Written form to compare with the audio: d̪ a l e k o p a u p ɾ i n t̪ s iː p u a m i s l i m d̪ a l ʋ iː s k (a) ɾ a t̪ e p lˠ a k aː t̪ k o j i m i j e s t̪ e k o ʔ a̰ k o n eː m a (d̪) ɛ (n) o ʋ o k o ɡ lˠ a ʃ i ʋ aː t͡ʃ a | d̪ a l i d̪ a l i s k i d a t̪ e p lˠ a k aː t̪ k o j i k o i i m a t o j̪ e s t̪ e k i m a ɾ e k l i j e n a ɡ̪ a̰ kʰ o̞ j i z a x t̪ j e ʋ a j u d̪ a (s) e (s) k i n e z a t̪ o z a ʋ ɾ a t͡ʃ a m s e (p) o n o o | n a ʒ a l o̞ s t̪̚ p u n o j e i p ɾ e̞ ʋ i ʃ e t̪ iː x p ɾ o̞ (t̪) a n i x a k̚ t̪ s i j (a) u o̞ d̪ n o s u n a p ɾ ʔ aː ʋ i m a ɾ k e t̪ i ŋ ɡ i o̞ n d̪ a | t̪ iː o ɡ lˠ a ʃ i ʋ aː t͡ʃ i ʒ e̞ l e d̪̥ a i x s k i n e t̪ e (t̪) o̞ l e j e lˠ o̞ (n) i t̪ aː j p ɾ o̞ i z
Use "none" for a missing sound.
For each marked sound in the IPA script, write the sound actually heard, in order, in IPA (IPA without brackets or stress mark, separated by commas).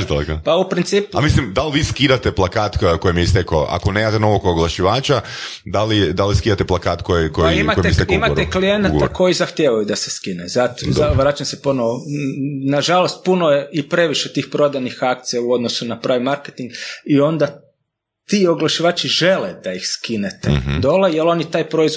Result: i, t̪, n, s, s, p, d̪, a, d̪, n